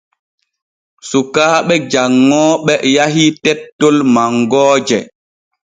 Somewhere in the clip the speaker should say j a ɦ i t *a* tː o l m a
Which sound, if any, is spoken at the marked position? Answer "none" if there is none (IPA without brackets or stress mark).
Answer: ɛ